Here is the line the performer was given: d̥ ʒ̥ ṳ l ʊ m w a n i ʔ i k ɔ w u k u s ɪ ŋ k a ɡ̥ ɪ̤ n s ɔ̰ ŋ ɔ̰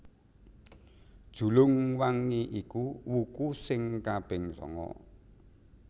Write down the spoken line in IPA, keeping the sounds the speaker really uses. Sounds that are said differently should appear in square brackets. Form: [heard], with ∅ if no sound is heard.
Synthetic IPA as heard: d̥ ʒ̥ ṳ l ʊ [ŋ] w a [ŋ] i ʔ i k [u] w u k u s ɪ ŋ k a [b̥] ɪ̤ [ŋ] s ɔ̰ ŋ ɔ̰